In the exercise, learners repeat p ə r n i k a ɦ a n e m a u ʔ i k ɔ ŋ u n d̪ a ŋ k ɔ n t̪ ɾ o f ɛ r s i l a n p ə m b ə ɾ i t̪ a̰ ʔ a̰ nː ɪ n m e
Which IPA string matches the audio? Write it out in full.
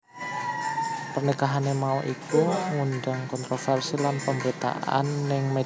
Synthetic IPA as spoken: p ə r n i k a ɦ a n e m a u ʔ i k u ŋ u n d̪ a ŋ k ɔ n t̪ ɾ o f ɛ r s i l a n p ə m b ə ɾ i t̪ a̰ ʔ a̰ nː ɪ ŋ m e